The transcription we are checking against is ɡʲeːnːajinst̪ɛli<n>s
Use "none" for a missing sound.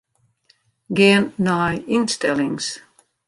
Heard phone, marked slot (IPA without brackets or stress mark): ŋ